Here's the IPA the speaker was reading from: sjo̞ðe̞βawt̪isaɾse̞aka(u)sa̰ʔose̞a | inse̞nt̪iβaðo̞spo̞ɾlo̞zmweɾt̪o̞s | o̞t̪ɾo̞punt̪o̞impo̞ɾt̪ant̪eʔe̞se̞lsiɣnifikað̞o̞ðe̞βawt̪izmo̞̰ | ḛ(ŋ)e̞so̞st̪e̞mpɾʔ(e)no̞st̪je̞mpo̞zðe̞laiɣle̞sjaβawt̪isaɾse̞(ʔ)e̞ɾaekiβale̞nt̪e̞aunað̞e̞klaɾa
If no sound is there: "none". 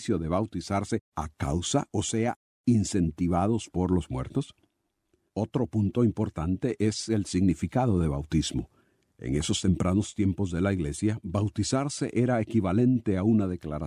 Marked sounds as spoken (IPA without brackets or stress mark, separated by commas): w, ŋ, a, ʔ